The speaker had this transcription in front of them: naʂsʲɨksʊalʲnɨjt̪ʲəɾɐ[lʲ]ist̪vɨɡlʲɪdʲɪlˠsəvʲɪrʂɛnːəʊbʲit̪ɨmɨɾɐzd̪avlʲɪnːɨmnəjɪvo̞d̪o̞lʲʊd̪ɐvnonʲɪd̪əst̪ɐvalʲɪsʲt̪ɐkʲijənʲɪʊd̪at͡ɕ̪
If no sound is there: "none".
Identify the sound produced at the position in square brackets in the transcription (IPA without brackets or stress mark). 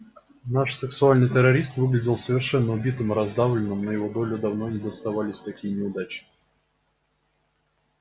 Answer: ɾʲ